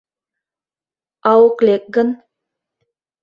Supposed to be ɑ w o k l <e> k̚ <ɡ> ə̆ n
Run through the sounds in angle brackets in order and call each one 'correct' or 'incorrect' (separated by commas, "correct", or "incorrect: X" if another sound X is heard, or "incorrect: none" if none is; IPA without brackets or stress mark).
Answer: correct, correct